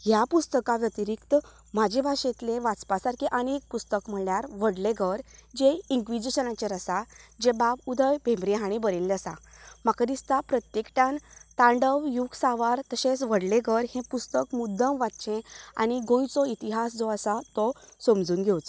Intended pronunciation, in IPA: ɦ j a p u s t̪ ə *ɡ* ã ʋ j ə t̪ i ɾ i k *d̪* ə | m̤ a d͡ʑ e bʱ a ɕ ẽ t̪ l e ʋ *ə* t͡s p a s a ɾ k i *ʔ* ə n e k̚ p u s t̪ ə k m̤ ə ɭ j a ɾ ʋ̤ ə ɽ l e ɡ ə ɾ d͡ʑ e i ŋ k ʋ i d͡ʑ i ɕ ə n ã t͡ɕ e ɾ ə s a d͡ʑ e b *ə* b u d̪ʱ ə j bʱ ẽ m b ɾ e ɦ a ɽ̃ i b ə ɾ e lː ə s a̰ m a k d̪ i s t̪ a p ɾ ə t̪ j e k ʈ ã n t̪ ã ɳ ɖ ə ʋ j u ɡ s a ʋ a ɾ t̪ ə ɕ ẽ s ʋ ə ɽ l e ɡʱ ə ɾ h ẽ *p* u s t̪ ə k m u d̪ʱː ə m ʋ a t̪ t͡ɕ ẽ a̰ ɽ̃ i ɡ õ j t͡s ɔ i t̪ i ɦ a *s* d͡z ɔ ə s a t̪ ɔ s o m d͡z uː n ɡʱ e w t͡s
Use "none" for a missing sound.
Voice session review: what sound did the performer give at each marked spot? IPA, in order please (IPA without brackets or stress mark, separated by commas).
k, t̪, a, ʔ, a, p, s